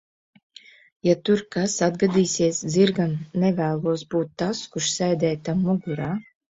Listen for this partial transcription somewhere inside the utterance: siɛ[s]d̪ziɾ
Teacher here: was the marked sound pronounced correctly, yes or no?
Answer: yes